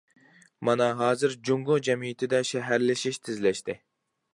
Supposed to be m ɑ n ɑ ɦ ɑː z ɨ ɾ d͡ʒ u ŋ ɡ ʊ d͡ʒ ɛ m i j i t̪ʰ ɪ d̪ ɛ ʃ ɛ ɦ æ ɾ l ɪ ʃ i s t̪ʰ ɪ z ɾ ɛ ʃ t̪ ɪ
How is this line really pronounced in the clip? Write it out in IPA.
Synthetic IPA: m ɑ n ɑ ɦ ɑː z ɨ ɾ d͡ʒ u ŋ ɡ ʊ d͡ʒ ɛ m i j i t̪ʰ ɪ d̪ ɛ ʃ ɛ ɦ æ ɾ l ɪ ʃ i ʃ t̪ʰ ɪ z l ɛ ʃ t̪ ɪ